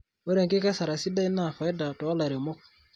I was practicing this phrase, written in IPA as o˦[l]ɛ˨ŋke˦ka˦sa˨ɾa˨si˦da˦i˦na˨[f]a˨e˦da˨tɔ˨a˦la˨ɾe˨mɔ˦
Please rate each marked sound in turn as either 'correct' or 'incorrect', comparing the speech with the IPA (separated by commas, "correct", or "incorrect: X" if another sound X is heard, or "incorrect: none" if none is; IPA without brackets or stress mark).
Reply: incorrect: ɾ, correct